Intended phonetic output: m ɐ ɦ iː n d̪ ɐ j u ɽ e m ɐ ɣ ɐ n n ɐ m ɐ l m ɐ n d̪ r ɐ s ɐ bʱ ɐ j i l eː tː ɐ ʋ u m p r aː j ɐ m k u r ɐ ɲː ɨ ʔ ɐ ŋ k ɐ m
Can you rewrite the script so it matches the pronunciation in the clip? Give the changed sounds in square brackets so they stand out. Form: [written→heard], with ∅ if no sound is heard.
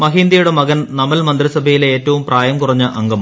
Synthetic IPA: m ɐ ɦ iː n d̪ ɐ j u ɽ e m ɐ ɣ ɐ n n ɐ m ɐ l m ɐ n d̪ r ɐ s ɐ bʱ ɐ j i l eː tː ɐ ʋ u m p r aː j ɐ m k u r ɐ ɲː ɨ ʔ ɐ ŋ [k→ɡ] ɐ m